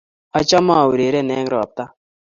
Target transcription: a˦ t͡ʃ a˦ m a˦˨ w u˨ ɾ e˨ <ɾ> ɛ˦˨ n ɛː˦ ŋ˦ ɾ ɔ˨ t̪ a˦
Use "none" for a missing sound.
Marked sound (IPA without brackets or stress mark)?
ɾ